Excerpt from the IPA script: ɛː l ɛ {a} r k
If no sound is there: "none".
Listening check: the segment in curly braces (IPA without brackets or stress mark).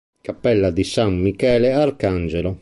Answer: a